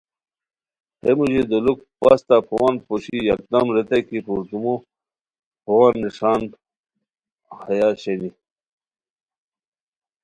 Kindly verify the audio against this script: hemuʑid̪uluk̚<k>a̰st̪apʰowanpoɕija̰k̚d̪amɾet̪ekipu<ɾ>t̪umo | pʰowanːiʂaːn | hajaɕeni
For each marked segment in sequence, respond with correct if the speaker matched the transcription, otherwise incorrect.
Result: incorrect, correct

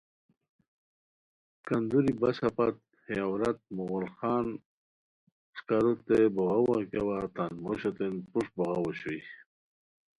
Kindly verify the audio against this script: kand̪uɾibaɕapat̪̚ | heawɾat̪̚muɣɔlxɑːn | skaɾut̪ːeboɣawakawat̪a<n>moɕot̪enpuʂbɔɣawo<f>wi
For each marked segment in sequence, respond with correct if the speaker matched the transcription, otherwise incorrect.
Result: correct, incorrect

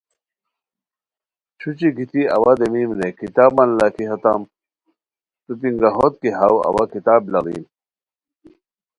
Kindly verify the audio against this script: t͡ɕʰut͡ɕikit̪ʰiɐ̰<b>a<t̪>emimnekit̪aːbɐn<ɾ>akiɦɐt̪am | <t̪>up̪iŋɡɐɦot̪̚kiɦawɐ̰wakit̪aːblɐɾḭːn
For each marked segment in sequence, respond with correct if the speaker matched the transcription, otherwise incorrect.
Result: incorrect, incorrect, incorrect, correct

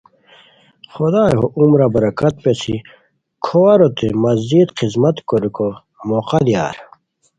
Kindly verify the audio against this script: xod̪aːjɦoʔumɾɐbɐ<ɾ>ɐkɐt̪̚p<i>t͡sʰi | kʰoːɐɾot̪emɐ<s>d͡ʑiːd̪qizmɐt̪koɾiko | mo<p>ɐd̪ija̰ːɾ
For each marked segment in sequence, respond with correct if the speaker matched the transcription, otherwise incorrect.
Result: correct, incorrect, incorrect, incorrect

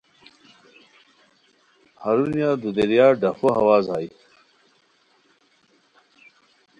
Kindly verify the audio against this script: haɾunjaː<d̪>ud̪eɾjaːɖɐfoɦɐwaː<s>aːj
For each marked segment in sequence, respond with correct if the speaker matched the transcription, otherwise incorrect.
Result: correct, incorrect

